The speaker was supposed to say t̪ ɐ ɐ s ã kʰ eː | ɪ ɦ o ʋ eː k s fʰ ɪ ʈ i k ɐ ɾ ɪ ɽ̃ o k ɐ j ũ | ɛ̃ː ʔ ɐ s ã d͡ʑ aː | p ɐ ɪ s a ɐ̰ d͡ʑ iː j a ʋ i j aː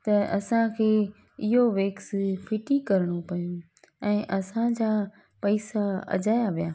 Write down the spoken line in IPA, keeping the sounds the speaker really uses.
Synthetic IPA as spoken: t̪ ɐ ɐ s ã kʰ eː | ɪ ɦ o ʋ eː k s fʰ ɪ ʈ i k ɐ ɾ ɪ ɽ̃ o p ɐ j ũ | ɛ̃ː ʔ ɐ s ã d͡ʑ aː | p ɐ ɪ s a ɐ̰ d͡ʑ aː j a ʋ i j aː